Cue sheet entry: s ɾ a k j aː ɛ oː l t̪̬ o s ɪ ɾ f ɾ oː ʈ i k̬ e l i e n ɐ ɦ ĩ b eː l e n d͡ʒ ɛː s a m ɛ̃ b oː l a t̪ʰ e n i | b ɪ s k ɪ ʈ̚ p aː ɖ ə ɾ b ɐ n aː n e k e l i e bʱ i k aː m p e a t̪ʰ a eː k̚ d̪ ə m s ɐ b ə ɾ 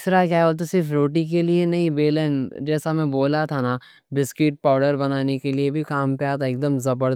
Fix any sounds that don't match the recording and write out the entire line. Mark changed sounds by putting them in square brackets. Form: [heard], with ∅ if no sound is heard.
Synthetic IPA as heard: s ɾ a k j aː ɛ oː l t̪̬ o s ɪ ɾ f ɾ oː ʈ i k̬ e l i e n ɐ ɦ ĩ b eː l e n d͡ʒ ɛː s a m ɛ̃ b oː l a t̪ʰ [a] n [a] | b ɪ s k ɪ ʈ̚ p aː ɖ ə ɾ b ɐ n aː n e k e l i e bʱ i k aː m p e a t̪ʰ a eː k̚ d̪ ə m [z] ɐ b ə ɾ